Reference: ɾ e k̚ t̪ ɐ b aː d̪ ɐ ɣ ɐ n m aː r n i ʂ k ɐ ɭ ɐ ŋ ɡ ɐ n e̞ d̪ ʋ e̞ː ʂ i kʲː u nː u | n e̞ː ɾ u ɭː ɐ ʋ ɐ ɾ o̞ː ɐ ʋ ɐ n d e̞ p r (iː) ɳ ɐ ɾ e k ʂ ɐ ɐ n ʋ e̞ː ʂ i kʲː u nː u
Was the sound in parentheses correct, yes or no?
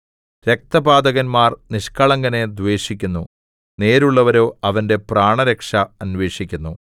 no